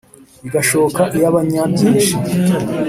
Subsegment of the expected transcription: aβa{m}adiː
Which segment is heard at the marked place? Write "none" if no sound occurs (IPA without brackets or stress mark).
ɲ